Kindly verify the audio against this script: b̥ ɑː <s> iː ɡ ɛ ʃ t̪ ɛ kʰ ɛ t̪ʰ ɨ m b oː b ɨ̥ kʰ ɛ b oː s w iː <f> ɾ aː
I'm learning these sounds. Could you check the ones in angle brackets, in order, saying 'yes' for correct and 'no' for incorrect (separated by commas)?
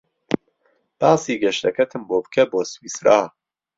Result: yes, no